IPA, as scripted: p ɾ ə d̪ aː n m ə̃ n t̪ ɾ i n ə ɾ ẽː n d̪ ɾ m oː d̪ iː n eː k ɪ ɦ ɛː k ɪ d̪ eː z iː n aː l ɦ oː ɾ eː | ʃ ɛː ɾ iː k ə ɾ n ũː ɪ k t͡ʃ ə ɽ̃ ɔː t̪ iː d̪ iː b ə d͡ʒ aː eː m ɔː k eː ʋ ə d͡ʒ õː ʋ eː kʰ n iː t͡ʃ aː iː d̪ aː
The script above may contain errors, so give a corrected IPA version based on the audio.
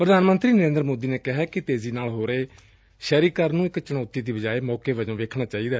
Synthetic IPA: p ɾ ə d̪ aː n m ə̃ n t̪ ɾ iː n ə ɾ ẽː n d̪ ɾ m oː d̪ iː n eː k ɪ ɦ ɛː k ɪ t̪ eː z iː n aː l ɦ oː ɾ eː | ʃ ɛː ɾ iː k ə ɾ n ũː ɪ k t͡ʃ ə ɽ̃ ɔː t̪ iː d̪ iː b ə d͡ʒ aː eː m ɔː k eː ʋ ə d͡ʒ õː ʋ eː kʰ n aː t͡ʃ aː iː d̪ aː

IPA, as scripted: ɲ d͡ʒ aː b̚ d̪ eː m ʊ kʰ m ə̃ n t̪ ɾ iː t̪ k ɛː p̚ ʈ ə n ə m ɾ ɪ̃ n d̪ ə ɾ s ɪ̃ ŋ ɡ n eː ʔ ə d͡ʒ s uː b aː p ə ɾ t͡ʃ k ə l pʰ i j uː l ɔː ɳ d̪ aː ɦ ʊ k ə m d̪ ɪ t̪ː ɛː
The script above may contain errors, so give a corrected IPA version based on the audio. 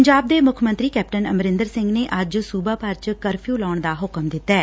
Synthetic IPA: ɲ d͡ʒ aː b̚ d̪ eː m ʊ kʰ m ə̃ n t̪ ɾ iː k ɛː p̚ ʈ ə n ə m ɾ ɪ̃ n d̪ ə ɾ s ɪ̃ ŋ ɡ n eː ʔ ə d͡ʒ s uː b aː p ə ɾ t͡ʃ k ə ɾ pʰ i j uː l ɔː ɳ d̪ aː ɦ ʊ k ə m d̪ ɪ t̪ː ɛː

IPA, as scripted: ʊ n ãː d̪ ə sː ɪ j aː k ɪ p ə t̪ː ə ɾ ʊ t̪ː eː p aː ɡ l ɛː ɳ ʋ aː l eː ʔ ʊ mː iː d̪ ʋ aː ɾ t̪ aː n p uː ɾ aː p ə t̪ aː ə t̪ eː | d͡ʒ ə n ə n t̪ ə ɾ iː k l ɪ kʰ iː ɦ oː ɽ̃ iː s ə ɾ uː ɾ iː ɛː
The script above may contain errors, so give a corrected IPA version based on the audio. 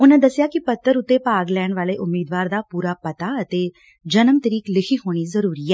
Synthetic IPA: ʊ n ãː d̪ ə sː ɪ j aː k ɪ p ə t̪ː ə ɾ ʊ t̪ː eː p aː ɡ l ɛː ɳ ʋ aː l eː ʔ ʊ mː iː d̪ ʋ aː ɾ d̪ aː p uː ɾ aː p ə t̪ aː ə t̪ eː | d͡ʒ ə n ə m t̪ ə ɾ iː k l ɪ kʰ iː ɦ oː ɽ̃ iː z ə ɾ uː ɾ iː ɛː

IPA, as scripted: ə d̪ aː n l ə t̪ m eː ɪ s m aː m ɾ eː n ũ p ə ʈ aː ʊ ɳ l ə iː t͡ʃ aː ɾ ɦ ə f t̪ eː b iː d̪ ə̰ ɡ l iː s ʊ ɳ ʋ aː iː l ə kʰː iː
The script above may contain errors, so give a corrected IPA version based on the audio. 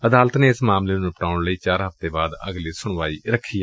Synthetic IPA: ə d̪ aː l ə t̪ n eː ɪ s m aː m l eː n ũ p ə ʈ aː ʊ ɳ l ə iː t͡ʃ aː ɾ ɦ ə f t̪ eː b aː d̪ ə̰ ɡ l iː s ʊ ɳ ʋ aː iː ɾ ə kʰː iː

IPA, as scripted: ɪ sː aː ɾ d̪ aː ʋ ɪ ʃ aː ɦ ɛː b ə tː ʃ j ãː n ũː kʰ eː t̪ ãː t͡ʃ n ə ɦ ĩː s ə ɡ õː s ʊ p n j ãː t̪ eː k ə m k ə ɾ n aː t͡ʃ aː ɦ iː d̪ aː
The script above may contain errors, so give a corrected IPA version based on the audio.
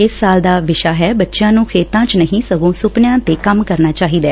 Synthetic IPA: ɪ sː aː l d̪ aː ʋ ɪ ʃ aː ɦ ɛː b ə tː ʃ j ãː n ũː kʰ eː t̪ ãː t͡ʃ n ə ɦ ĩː s ə ɡ õː s ʊ p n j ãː t̪ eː k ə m k ə ɾ n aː t͡ʃ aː ɦ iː d̪ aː

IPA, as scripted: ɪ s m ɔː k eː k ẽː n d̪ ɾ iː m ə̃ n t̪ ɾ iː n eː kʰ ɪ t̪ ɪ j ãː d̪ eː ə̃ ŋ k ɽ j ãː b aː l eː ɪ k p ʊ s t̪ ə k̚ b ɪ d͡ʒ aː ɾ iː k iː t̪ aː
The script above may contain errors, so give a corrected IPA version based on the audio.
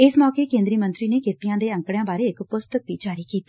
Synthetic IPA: ɪ s m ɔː k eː k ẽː n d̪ ɾ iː m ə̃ n t̪ ɾ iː n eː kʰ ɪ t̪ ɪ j ãː d̪ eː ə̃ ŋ k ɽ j ãː b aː ɾ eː ɪ k p ʊ s t̪ ə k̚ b i d͡ʒ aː ɾ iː k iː t̪ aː

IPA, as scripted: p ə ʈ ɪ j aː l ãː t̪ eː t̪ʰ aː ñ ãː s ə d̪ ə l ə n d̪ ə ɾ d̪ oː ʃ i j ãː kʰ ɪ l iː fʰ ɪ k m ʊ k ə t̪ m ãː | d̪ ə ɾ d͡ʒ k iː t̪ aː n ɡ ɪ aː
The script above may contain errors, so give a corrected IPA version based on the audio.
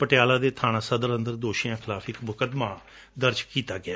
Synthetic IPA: p ə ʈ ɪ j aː l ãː d̪ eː t̪ʰ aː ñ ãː s ə d̪ ə ɾ ə n d̪ ə ɾ d̪ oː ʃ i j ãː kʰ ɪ l aː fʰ ɪ k m ʊ k ə d̪ m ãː | d̪ ə ɾ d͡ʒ k iː t̪ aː ɡ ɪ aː

